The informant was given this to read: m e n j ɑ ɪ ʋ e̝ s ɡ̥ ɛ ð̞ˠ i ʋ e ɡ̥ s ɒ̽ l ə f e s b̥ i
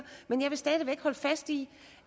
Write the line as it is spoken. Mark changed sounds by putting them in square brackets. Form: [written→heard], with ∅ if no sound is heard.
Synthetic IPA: m e n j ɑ ɪ ʋ e̝ s [ɡ̥→d̥] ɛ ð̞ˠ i ʋ e ɡ̥ [s→h] ɒ̽ l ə f [e→æ] s [b̥→d̥] i